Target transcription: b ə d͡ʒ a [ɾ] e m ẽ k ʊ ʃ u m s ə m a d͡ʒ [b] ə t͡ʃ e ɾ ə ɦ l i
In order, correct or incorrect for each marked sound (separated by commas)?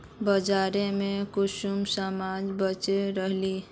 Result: correct, correct